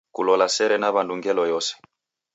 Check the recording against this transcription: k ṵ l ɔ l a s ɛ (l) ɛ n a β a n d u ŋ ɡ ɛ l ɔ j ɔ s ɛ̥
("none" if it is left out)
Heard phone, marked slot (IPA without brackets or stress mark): ɾ